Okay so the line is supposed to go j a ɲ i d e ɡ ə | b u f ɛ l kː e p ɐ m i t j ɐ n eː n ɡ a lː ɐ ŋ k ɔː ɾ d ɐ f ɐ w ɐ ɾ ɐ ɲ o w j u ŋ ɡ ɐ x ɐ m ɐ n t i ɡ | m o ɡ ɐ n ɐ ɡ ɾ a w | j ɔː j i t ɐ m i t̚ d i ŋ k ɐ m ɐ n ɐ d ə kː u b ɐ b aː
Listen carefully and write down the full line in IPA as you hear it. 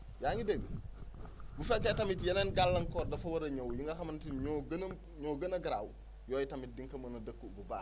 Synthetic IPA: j a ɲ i d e ɡ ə | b u f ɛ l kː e t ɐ m i t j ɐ n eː n ɡ a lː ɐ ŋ k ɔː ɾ d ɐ f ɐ w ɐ ɾ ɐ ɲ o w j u ŋ ɡ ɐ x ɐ m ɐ n t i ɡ | ɲ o ɡ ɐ n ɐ ɡ ɾ a w | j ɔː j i t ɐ m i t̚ d i ŋ k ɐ m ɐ n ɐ d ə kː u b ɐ b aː

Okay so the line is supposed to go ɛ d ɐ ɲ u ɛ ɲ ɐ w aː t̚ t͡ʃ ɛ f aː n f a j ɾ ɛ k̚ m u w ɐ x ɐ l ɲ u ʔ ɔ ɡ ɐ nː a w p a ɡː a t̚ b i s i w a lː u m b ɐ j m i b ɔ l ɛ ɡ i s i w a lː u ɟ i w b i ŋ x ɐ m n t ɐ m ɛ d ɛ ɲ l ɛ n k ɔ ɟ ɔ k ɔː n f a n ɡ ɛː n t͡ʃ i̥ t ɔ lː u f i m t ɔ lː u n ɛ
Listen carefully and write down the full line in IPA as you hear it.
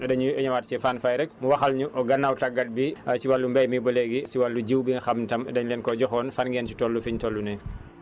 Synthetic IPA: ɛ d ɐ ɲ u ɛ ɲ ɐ w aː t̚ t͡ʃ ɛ f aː n f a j ɾ ɛ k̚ m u w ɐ x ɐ l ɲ u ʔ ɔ ɡ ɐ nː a w t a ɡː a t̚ b i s i w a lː u m b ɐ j m i b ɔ l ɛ ɡ i s i w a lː u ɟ i w b i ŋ x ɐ m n t ɐ m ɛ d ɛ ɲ l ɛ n k ɔ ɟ ɔ x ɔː n f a n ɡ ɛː n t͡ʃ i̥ t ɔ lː u f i ɲ t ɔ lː u n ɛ

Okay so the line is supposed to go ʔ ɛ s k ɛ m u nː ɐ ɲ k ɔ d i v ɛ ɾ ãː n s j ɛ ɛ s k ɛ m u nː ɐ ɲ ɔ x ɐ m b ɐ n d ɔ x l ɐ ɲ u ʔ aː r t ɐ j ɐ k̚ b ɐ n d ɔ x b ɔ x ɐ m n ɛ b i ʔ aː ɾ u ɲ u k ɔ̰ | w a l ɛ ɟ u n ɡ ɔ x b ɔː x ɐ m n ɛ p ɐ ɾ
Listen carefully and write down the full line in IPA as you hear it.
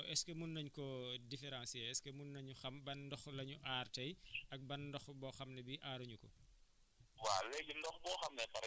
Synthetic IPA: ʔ ɛ s k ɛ m u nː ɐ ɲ k ɔ d i f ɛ ɾ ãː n s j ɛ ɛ s k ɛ m u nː ɐ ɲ u x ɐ m b ɐ n d ɔ x l ɐ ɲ u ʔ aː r t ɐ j ɐ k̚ b ɐ n d ɔ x b ɔ x ɐ m n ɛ b i ʔ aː ɾ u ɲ u k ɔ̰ | w a l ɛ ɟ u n d ɔ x b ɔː x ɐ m n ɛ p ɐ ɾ

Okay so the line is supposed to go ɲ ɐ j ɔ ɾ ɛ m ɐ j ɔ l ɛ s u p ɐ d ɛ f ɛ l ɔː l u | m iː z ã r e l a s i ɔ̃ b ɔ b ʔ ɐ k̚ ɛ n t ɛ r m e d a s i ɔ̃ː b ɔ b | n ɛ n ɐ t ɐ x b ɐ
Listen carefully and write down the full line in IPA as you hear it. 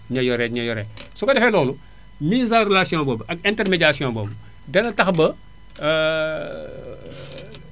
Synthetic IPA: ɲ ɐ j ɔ ɾ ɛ ɲ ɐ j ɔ ɾ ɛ s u k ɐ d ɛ f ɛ l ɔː l u | m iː z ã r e l a s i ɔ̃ b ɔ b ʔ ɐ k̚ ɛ n t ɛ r m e ɟ a s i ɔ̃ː b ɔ b | d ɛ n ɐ t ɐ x b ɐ

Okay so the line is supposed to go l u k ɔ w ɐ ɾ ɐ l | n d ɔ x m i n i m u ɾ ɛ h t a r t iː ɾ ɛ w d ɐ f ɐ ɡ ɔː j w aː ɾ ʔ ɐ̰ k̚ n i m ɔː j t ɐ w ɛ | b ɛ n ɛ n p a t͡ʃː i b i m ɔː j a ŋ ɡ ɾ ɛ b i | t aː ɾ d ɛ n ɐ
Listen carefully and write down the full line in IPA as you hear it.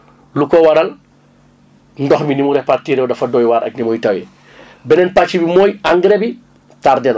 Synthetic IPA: l u k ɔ w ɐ ɾ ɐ l | n d ɔ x m i n i m u ɾ ɛ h p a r t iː ɾ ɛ w d ɐ f ɐ d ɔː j w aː ɾ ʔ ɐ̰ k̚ n i m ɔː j t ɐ w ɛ | b ɛ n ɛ n p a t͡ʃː i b i m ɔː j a ŋ ɡ ɾ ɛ b i | t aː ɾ d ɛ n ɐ

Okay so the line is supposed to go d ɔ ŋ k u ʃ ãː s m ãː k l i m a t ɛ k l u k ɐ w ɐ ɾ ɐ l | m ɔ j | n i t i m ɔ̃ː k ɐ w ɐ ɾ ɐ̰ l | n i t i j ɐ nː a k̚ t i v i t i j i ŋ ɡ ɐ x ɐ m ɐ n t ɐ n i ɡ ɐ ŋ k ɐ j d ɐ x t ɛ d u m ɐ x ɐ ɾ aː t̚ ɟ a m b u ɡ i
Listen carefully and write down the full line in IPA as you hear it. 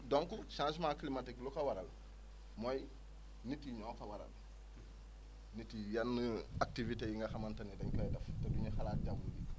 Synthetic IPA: d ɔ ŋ k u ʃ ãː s m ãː k l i m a t i k l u k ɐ w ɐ ɾ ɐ l | m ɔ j | n i t i ɲ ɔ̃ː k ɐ w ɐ ɾ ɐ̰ l | n i t i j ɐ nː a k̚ t i v i t e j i ŋ ɡ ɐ x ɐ m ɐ n t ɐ n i d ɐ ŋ k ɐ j d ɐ f t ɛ d u ɲ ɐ x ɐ l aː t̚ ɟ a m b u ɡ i

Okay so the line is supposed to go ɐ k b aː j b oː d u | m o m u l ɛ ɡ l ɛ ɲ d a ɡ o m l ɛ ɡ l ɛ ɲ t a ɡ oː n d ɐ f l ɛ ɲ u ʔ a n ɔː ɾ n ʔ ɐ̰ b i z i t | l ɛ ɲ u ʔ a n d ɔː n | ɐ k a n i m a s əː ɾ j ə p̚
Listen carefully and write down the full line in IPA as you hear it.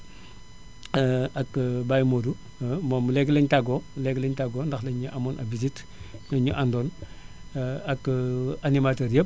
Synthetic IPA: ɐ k b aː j m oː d u | m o m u l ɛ ɡ l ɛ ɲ t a ɡ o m l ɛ ɡ l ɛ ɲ t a ɡ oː n d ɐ x l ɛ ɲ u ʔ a m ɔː n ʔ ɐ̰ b i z i t | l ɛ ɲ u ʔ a n d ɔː n | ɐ k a n i m a t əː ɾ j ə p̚

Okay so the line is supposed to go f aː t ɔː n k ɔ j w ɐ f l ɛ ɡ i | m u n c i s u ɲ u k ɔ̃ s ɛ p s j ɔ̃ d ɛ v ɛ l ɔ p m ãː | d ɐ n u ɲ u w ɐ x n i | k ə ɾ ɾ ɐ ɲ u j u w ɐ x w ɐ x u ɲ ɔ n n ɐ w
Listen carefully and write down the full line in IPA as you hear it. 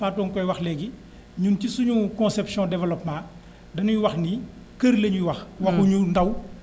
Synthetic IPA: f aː t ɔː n k ɔ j w ɐ x l ɛ ɡ i | ɲ u n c i s u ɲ u k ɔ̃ s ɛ p s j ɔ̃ d ɛ v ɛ l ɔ p m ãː | d ɐ n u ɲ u w ɐ x n i | k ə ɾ l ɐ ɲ u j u w ɐ x w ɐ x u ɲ u n d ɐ w

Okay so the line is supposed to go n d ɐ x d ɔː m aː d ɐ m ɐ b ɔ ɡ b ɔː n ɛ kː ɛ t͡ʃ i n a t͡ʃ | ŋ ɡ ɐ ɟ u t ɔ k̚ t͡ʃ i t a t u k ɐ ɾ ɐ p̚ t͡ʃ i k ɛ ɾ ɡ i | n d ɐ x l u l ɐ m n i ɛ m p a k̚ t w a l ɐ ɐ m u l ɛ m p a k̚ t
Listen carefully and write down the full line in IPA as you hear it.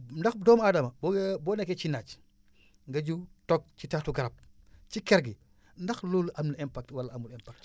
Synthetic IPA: n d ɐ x d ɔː m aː d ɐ m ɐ b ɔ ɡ b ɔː n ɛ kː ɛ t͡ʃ i n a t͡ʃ | ŋ ɡ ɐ ɟ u t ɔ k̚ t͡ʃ i t a t u ɡ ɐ ɾ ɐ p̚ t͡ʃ i k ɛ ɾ ɡ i | n d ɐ x l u l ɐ m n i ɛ m p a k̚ t w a l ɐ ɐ m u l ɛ m p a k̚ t

